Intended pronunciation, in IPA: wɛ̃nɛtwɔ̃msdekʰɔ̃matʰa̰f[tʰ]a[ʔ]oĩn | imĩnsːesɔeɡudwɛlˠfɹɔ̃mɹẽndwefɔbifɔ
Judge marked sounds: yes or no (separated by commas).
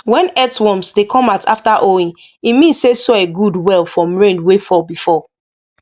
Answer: no, yes